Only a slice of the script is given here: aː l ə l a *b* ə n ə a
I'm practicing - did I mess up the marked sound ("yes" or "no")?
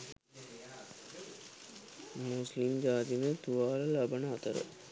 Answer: no